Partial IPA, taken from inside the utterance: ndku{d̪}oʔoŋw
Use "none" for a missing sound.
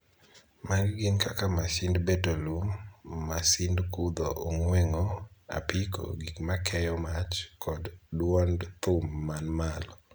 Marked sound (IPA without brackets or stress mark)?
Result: d̪